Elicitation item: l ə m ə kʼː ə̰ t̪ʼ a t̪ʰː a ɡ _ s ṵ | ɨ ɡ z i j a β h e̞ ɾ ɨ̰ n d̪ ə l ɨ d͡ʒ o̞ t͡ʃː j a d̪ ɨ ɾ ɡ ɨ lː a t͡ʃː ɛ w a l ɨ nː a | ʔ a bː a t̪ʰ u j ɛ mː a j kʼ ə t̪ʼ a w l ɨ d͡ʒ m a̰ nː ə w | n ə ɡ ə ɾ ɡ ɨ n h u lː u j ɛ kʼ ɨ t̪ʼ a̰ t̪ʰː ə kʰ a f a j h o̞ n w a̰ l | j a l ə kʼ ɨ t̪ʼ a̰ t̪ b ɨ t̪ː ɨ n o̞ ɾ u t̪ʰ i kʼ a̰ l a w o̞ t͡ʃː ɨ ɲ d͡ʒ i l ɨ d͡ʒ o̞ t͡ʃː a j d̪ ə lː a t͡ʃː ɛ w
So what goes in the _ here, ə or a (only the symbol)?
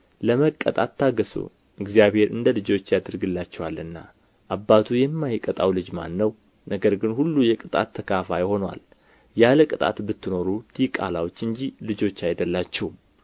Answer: ə